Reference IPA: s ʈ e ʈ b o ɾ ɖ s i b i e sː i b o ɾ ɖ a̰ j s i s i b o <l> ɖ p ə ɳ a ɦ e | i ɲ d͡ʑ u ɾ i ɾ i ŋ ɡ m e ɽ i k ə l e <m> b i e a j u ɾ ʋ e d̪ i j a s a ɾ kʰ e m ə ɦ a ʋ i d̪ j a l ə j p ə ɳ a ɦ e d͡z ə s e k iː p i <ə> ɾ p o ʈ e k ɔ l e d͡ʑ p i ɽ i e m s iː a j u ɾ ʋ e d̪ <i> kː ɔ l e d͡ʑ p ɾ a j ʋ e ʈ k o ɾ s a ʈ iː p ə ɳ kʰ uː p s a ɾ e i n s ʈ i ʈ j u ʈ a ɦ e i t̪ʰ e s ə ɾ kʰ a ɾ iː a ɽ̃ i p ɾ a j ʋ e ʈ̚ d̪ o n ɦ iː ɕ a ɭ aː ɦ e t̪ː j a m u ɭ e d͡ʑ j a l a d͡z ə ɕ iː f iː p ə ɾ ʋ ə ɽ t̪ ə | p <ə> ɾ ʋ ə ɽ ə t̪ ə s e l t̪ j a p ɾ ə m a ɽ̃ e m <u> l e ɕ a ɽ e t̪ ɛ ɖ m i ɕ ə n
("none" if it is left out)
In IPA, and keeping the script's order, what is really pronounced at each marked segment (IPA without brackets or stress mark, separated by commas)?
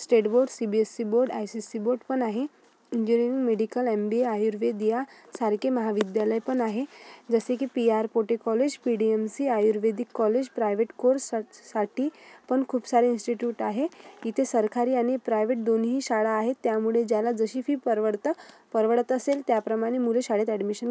ɾ, m, a, i, ə, u